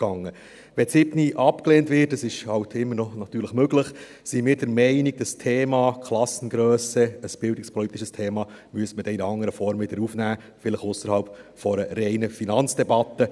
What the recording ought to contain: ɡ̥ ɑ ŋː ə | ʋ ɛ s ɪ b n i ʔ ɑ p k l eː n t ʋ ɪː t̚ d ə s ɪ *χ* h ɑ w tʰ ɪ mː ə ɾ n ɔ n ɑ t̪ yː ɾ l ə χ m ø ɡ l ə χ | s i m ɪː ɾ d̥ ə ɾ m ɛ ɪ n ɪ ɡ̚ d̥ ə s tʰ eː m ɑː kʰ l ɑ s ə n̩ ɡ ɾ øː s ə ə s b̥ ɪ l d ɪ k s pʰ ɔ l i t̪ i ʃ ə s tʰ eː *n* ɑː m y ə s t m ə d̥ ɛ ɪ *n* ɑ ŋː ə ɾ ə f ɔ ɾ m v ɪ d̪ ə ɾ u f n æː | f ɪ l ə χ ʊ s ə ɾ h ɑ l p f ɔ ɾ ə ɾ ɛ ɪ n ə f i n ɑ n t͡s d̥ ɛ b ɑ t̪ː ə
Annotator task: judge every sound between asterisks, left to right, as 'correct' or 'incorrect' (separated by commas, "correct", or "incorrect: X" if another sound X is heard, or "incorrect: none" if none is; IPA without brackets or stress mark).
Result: incorrect: ʃ, incorrect: m, correct